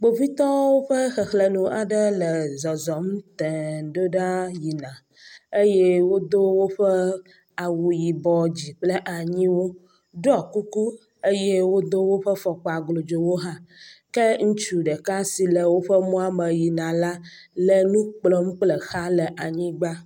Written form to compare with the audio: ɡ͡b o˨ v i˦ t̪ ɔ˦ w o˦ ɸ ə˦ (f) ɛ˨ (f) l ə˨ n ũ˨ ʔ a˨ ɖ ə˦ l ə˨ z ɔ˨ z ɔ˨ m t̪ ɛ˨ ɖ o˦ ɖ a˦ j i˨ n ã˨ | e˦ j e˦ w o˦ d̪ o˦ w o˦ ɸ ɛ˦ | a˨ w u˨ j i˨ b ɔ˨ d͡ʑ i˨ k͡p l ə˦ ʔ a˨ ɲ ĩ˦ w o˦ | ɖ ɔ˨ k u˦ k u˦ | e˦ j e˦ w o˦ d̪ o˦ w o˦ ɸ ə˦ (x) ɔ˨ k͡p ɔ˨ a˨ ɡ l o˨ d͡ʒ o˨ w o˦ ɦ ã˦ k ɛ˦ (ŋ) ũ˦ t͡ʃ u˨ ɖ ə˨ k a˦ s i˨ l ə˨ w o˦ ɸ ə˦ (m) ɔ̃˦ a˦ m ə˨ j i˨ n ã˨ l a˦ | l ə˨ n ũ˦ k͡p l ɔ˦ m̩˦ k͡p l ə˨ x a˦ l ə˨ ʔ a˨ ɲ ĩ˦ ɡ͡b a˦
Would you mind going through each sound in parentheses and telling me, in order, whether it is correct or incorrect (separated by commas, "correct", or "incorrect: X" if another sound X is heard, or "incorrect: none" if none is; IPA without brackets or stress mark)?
incorrect: x, incorrect: x, incorrect: f, correct, correct